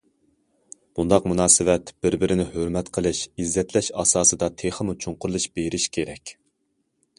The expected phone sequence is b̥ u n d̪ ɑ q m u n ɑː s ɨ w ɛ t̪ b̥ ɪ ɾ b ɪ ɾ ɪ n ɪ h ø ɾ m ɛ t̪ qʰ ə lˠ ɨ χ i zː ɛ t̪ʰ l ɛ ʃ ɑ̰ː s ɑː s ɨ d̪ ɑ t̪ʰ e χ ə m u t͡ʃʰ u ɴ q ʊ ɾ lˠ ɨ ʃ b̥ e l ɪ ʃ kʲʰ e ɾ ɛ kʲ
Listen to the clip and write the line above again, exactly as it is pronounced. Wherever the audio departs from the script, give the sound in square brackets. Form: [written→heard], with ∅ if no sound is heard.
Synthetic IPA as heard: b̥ u n d̪ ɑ q m u n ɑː s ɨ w ɛ t̪ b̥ ɪ ɾ b ɪ ɾ ɪ n ɪ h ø ɾ m ɛ t̪ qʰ ə lˠ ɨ [χ→ʃ] i zː ɛ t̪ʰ l ɛ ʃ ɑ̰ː s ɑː s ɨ d̪ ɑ t̪ʰ e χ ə m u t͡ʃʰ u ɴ q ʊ ɾ lˠ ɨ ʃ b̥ e [l→ɾ] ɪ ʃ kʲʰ e ɾ ɛ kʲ